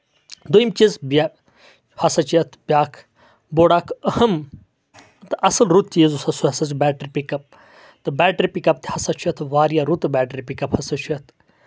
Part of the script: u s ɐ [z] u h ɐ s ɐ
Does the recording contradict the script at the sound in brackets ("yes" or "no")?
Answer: yes